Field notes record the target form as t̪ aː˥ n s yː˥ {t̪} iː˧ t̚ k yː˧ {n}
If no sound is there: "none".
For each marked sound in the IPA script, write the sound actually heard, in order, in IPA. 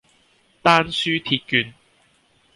t̪ʰ, n

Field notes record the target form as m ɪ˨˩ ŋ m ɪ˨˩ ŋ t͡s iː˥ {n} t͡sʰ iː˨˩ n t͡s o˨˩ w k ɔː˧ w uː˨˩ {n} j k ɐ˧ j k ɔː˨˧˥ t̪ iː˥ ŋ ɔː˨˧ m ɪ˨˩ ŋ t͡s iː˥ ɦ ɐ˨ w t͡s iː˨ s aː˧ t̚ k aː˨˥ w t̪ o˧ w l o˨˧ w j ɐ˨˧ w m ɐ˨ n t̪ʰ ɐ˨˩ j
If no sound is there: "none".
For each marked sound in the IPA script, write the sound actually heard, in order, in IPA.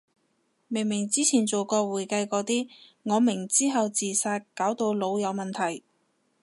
none, none

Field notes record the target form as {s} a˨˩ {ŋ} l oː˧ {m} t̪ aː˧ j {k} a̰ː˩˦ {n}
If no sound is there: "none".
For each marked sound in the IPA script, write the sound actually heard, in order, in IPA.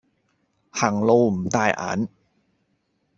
h, ŋ, m, ʔ, n

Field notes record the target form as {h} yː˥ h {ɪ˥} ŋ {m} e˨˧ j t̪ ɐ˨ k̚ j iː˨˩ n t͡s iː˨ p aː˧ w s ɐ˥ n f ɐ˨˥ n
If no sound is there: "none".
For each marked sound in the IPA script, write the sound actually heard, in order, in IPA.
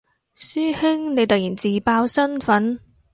s, ɪ˥, n

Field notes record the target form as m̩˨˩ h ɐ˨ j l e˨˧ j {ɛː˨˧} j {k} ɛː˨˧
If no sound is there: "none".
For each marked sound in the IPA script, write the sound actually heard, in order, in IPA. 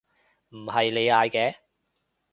aː˨˧, k

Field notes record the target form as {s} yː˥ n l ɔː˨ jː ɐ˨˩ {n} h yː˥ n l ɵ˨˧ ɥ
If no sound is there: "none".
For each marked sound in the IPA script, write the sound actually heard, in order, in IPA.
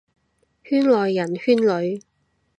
h, n

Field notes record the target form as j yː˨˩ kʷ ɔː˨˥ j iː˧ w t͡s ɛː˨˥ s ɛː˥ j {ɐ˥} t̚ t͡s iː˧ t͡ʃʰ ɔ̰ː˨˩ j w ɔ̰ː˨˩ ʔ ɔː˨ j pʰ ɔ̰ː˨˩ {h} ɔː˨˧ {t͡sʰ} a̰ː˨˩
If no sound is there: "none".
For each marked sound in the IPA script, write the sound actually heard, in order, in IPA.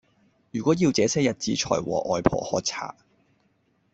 ɐ˨, h, t͡sʰ

